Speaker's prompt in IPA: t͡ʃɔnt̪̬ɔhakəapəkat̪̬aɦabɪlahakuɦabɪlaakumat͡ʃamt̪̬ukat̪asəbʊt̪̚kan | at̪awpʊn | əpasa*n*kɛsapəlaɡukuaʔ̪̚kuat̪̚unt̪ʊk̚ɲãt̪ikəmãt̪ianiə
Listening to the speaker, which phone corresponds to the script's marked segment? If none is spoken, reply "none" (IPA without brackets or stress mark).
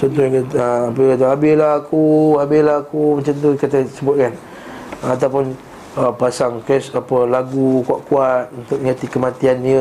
ŋ